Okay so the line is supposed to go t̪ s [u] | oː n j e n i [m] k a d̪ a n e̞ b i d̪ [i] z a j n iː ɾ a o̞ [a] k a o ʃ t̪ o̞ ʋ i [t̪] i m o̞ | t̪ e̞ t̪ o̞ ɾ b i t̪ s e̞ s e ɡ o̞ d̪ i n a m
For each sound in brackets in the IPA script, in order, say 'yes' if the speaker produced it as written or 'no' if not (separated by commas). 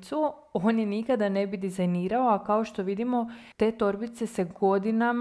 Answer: yes, no, yes, yes, no